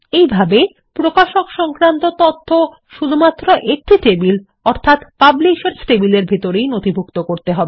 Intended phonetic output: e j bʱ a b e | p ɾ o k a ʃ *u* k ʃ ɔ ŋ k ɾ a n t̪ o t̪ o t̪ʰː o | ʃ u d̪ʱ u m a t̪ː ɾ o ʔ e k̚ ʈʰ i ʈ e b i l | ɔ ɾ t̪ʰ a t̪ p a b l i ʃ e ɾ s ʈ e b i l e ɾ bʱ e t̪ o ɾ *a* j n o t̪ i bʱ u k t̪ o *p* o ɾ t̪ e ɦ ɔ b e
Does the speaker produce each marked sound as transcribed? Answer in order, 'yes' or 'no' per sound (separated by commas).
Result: no, no, no